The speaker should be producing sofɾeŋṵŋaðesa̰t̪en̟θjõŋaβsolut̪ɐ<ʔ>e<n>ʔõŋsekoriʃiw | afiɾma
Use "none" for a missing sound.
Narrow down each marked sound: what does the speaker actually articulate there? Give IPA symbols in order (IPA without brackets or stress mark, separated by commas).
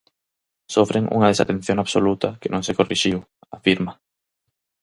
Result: k, n